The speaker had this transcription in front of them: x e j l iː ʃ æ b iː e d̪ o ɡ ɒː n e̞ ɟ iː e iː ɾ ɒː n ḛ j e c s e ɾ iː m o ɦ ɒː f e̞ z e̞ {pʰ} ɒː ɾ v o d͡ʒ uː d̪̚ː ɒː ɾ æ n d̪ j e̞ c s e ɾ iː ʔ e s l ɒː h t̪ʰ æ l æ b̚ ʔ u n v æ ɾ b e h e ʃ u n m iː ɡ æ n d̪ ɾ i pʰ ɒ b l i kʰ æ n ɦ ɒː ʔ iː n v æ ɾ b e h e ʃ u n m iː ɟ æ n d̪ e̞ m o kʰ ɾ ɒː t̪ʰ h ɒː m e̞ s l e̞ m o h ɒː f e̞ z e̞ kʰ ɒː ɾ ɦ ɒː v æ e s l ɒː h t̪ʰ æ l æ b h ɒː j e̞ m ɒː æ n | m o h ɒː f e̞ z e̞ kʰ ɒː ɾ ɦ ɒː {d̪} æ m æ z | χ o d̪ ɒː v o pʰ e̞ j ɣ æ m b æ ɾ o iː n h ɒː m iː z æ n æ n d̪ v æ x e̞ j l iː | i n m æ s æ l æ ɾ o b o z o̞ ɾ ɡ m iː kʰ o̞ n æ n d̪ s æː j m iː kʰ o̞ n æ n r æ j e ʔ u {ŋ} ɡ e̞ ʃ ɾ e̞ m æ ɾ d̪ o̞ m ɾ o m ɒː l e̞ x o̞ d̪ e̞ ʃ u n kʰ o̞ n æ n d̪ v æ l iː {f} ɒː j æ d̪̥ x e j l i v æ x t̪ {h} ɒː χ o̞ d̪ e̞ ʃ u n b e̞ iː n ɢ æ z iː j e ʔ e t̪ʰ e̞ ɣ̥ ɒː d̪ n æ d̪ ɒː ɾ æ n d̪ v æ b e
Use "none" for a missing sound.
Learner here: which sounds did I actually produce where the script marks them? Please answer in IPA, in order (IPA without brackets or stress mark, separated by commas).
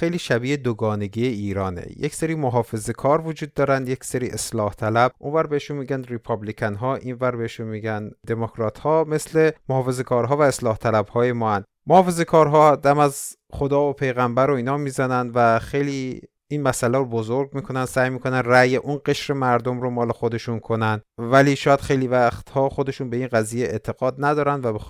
kʰ, d̪, n, ʃ, h